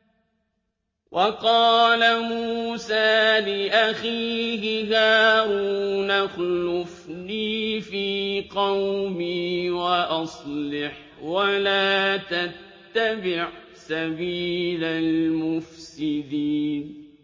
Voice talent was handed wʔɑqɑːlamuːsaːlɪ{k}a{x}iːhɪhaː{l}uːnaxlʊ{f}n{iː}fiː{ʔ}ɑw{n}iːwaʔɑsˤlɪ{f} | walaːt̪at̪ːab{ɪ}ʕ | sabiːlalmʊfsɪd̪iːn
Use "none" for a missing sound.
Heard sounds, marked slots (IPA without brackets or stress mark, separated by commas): ʔ, x, ɾ, f, iː, q, m, ħ, ɪ